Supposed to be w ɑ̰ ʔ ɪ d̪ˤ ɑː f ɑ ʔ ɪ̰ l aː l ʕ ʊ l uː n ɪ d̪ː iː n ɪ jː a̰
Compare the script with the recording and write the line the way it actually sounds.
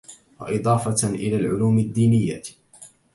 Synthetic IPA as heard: w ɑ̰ ʔ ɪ d̪ˤ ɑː f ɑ ʔ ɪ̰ l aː l ʕ ʊ l uː m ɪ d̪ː iː n ɪ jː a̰